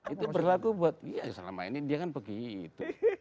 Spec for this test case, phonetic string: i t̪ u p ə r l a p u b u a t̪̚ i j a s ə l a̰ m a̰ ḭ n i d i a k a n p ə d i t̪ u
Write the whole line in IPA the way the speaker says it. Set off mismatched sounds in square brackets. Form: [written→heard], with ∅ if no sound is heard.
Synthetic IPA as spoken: i t̪ u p ə r l a [p→k] u b u a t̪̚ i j a s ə l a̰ m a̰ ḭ n i d i a k a n p ə [d→ɡ] i t̪ u